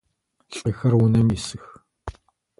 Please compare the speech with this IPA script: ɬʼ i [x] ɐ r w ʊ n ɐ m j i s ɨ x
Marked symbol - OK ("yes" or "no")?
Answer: yes